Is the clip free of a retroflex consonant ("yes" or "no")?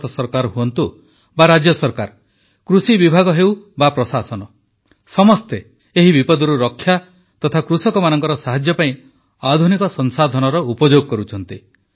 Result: yes